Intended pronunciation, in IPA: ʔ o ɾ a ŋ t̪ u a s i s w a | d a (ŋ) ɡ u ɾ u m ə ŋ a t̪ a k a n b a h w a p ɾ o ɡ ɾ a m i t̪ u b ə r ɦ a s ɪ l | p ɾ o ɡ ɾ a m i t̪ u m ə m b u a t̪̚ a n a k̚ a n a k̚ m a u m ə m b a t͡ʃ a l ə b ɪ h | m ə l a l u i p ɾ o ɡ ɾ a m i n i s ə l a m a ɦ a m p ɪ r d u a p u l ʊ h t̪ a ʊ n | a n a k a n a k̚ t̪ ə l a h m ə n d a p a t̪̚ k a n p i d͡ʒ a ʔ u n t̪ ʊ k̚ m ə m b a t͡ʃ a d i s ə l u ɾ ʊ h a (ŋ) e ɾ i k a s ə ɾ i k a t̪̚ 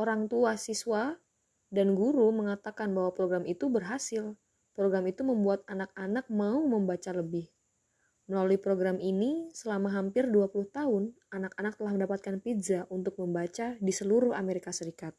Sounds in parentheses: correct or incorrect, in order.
incorrect: n, incorrect: m

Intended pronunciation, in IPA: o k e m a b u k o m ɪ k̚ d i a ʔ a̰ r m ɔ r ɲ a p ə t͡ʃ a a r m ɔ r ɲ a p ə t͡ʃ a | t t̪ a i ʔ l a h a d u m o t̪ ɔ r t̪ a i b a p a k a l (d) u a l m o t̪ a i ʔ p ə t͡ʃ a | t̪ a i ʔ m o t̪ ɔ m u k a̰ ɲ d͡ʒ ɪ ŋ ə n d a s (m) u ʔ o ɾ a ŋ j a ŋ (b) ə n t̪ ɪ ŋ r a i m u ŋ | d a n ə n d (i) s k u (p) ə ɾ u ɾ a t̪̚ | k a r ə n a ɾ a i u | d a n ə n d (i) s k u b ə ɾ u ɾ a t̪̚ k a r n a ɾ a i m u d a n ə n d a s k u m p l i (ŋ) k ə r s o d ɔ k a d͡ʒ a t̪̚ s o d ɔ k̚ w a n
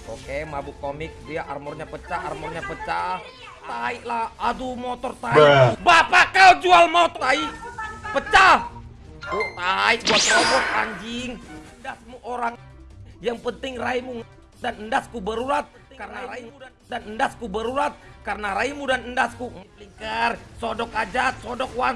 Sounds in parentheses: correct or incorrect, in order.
incorrect: d͡ʒ, correct, incorrect: p, incorrect: a, incorrect: b, incorrect: a, correct

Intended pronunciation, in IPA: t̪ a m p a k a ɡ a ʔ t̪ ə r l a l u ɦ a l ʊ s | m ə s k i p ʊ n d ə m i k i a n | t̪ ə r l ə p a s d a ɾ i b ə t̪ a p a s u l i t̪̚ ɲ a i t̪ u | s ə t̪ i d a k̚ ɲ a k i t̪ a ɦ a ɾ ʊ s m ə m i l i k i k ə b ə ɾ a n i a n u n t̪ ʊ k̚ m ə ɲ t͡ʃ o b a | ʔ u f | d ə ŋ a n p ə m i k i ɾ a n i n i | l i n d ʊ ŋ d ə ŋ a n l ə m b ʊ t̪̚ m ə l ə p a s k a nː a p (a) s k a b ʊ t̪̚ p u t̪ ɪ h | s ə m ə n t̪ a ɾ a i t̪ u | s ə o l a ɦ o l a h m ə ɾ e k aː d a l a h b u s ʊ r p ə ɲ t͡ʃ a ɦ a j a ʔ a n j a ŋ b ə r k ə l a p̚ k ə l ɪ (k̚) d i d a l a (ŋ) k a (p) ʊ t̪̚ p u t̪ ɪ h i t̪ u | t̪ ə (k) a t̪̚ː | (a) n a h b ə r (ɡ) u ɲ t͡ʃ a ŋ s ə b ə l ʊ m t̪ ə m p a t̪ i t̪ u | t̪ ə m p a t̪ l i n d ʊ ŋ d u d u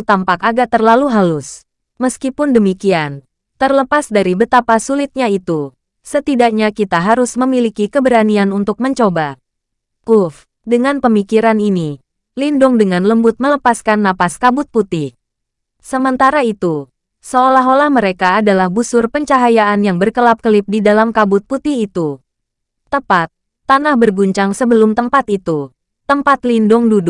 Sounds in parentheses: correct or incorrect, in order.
correct, incorrect: p̚, incorrect: m, incorrect: b, incorrect: p, correct, correct

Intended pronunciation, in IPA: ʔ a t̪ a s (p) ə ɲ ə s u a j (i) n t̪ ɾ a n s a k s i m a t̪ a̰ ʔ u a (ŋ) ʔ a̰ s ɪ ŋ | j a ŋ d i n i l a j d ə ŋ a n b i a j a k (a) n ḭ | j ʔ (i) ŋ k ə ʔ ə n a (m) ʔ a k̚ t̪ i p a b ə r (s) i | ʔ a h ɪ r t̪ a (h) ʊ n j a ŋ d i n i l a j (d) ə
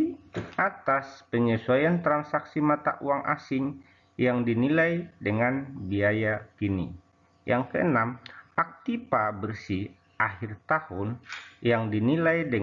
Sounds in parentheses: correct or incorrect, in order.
correct, incorrect: a, correct, incorrect: i, incorrect: a, correct, correct, correct, correct

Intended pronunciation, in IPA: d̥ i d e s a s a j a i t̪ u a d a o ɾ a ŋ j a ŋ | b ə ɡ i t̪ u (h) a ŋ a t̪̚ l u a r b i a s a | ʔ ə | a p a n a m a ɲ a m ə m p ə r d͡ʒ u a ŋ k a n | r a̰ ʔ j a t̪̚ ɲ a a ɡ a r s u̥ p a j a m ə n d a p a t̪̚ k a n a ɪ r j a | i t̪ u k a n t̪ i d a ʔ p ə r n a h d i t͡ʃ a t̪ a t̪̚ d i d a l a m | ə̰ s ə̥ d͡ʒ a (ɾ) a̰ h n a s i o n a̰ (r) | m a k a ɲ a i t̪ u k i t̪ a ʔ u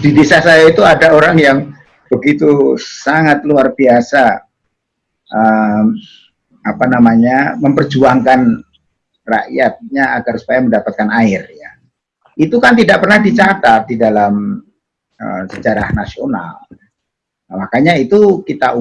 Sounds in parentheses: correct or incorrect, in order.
incorrect: s, correct, incorrect: l

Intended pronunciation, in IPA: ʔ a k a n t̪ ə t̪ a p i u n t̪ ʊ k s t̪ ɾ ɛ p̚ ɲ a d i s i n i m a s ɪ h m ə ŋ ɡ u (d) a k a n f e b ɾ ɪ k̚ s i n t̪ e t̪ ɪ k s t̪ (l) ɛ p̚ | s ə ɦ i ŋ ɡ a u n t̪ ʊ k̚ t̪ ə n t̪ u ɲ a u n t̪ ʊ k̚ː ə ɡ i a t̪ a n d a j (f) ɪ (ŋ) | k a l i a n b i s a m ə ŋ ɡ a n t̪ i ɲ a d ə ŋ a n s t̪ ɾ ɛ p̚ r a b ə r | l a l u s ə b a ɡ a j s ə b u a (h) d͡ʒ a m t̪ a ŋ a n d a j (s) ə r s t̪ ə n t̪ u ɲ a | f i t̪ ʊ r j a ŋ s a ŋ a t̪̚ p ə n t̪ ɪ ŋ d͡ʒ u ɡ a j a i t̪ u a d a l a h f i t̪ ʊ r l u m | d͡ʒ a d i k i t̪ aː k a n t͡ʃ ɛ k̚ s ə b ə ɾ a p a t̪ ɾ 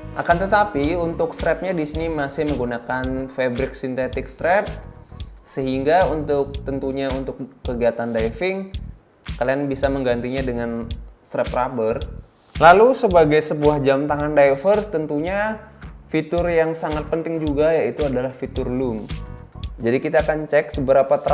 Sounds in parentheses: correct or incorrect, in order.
incorrect: n, incorrect: ɾ, correct, correct, correct, incorrect: f

